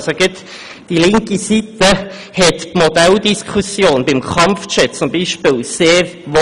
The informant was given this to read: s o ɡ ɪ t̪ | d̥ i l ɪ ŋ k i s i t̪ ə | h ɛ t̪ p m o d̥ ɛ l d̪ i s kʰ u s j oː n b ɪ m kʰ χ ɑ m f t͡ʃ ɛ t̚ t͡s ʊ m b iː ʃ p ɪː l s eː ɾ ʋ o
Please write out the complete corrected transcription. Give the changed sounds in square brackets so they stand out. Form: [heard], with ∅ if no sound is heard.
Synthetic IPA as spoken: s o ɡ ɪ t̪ | d̥ i l ɪ ŋ k i s i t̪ ə | h ɛ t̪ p m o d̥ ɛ l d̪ i s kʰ u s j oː n b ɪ m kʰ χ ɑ m f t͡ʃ ɛ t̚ t͡s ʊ m b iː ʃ p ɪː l s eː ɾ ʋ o